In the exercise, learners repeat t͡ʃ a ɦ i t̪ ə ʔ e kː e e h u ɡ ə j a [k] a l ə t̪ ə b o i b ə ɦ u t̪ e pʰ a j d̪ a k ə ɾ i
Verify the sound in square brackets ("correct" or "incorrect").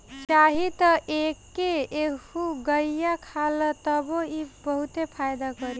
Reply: incorrect